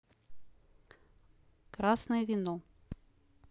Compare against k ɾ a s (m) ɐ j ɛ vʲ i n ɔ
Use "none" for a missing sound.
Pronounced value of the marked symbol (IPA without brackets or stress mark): n